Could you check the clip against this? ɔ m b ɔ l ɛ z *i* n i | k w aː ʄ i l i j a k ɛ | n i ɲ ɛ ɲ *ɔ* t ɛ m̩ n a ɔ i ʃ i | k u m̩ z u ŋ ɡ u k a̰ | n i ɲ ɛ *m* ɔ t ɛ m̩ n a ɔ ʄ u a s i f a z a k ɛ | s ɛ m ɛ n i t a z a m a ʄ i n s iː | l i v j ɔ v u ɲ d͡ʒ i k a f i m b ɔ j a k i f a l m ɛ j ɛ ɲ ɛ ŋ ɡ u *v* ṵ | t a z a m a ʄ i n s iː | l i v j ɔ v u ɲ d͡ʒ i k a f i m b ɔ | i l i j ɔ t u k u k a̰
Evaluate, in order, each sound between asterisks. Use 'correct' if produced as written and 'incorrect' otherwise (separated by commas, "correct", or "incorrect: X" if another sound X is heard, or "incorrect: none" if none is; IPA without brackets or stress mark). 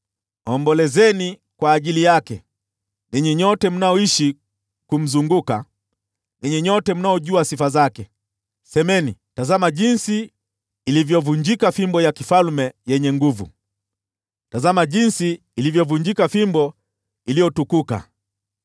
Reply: incorrect: ɛ, correct, incorrect: ɲ, correct